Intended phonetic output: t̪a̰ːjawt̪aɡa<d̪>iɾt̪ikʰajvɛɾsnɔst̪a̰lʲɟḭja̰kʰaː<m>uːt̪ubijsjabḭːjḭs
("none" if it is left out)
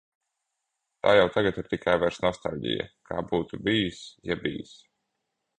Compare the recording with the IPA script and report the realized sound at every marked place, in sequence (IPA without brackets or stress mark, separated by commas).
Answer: t̪, b